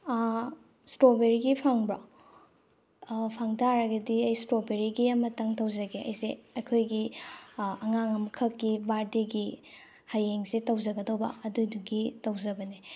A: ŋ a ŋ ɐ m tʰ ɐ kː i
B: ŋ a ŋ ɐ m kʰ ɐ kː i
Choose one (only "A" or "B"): B